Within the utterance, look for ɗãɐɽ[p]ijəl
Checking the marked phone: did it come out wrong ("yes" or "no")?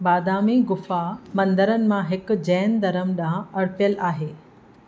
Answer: no